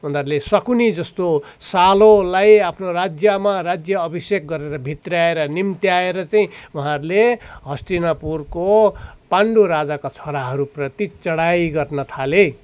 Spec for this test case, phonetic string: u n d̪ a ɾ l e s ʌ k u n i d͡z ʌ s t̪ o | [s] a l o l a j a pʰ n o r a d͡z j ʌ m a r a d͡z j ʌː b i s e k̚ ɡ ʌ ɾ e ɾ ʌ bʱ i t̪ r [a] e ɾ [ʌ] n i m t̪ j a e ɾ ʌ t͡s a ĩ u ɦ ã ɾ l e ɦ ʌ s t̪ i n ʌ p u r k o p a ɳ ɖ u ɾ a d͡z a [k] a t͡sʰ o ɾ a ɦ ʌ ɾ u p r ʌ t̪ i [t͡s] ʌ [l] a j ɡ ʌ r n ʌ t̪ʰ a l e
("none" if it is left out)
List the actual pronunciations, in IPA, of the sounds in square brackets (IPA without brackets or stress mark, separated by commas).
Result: s, a, ʌ, k, t͡s, ɽ